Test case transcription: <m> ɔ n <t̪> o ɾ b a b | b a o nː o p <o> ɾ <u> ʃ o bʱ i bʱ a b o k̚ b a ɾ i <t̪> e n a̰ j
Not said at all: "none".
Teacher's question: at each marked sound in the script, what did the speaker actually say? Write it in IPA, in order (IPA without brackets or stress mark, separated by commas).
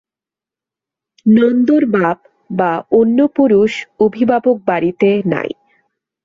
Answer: n, d̪, u, u, t̪